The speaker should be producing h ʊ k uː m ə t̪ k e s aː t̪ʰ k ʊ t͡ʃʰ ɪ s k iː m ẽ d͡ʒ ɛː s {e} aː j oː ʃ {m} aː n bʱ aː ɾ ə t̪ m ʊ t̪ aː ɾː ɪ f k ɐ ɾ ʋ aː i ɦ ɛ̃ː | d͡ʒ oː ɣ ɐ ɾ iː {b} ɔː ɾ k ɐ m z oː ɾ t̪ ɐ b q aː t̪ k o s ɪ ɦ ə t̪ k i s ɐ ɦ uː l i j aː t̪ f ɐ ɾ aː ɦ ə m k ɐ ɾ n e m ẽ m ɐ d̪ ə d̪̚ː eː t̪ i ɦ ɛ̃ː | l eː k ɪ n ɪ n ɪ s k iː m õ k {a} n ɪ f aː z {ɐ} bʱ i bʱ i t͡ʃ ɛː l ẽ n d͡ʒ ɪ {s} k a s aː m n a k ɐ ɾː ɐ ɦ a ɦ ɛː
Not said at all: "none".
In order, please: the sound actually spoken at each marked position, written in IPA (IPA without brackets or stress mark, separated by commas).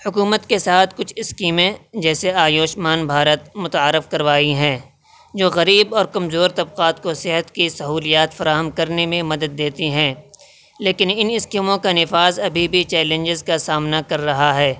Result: e, m, b, a, ɐ, z